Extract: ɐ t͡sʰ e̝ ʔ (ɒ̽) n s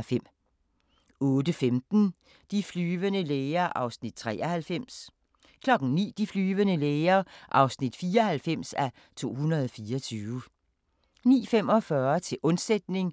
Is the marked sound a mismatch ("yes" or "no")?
yes